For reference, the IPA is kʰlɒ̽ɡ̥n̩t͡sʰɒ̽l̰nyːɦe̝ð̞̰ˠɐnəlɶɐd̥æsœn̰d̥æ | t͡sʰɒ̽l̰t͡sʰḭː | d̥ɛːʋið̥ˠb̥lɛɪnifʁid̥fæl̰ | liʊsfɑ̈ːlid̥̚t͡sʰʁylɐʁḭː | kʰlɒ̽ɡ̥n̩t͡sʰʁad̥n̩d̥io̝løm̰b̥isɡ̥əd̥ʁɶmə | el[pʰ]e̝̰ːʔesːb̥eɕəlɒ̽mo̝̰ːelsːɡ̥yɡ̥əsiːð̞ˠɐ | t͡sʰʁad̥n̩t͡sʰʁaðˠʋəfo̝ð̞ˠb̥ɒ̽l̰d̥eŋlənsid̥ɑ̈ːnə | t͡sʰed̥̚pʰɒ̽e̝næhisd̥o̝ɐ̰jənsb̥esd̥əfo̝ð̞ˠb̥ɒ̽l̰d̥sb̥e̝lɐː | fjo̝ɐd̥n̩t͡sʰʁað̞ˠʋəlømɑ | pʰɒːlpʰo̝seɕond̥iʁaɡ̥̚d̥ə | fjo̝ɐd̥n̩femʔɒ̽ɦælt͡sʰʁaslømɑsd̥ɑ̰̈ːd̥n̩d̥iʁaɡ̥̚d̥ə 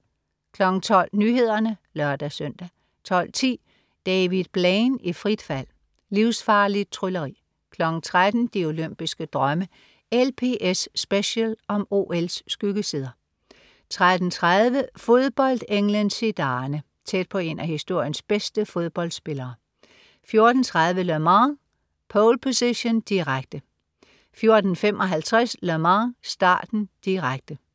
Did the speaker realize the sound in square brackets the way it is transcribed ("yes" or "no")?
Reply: yes